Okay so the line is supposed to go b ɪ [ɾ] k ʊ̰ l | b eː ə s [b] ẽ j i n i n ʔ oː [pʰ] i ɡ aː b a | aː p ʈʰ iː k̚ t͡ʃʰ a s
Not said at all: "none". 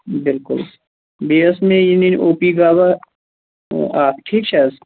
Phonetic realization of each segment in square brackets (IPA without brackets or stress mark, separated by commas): l, m, p